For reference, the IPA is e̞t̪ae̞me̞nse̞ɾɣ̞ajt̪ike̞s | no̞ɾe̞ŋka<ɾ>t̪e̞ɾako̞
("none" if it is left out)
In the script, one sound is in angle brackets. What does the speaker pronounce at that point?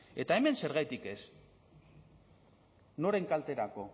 l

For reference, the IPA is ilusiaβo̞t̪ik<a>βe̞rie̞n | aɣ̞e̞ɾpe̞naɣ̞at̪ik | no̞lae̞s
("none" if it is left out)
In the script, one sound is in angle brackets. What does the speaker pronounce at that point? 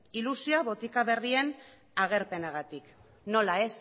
a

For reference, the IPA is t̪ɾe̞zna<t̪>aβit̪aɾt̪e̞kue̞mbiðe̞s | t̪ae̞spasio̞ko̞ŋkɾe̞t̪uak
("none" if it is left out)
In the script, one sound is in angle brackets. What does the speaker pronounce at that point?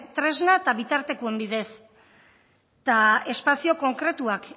t̪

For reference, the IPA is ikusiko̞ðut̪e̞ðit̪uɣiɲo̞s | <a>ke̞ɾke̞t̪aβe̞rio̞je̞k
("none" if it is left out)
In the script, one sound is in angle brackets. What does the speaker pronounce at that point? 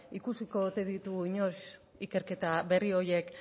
i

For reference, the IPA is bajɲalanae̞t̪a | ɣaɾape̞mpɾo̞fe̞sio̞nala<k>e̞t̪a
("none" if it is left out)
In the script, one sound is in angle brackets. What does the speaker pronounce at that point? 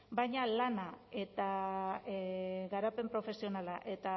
ʔ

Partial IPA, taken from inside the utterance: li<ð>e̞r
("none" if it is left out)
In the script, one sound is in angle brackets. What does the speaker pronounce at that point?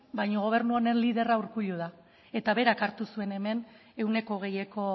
ð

